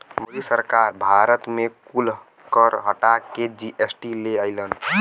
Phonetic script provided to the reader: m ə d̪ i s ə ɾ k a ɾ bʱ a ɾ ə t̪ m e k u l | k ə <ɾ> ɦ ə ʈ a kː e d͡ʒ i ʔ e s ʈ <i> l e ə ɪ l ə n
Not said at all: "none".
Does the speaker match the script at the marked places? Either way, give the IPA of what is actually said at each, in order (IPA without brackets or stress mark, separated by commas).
ɾ, i